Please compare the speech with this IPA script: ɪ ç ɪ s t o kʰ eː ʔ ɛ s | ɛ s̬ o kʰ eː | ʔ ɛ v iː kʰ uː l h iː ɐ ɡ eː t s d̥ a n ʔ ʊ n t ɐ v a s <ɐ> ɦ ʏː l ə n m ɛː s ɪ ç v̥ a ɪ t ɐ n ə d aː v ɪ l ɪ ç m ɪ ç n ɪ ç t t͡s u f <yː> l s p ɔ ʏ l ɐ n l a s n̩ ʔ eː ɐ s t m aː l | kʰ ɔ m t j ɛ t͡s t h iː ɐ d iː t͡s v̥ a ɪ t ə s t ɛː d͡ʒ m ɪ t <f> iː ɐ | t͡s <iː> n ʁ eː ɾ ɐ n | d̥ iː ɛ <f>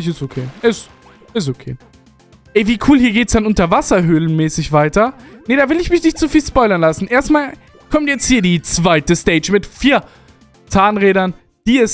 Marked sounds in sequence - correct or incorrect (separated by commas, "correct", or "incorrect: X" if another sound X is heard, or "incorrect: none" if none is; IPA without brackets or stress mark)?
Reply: correct, incorrect: iː, correct, incorrect: aː, incorrect: s